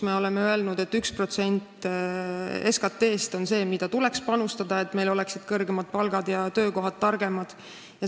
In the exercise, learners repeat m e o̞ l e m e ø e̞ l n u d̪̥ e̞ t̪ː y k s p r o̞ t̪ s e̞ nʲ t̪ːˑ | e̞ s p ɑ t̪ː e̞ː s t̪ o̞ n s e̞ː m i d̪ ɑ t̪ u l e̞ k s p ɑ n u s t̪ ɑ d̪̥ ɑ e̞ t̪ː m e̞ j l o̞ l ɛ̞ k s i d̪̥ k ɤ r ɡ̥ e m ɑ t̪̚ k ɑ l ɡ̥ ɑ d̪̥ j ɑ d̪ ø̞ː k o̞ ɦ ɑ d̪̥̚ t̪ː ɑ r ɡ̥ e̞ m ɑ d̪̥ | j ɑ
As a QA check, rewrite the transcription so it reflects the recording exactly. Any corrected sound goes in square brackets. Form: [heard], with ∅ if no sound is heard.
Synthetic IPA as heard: m e o̞ l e m e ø e̞ l n u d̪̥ e̞ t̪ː y k s p r o̞ t̪ s e̞ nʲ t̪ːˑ | e̞ s [k] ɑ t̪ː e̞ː s t̪ o̞ n s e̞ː m i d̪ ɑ t̪ u l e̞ k s p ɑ n u s t̪ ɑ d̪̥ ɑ e̞ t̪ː m e̞ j l o̞ l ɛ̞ k s i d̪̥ k ɤ r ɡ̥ e m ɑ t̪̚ [p] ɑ l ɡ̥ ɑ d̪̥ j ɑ [t̪] ø̞ː k o̞ ɦ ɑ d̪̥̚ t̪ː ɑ r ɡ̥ e̞ m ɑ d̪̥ | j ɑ